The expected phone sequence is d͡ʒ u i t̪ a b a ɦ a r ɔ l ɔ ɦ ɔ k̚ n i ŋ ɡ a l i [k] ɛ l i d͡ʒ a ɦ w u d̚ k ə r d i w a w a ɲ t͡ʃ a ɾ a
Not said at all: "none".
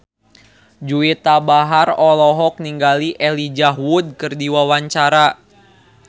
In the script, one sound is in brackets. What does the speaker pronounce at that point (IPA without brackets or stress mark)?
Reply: ʔ